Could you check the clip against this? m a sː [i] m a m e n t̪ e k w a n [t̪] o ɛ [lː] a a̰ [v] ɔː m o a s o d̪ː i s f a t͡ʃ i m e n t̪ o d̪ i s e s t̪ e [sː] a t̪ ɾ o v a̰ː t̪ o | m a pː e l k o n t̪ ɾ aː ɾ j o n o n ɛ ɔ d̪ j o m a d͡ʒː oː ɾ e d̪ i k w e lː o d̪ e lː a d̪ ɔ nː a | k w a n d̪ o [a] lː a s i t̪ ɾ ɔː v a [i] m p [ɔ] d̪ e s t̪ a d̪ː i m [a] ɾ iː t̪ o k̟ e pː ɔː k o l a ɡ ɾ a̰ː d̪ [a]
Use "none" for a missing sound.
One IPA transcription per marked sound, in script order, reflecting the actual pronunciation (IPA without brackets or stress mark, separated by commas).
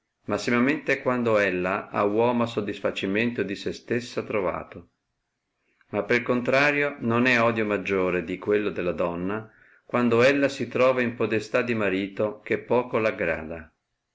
i, d̪, lː, w, sː, ɛ, i, o, a, a